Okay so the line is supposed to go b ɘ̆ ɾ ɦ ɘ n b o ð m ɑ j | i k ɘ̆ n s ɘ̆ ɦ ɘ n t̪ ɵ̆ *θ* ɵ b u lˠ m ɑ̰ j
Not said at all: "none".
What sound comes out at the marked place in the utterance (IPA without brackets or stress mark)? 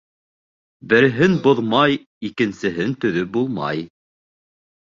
ð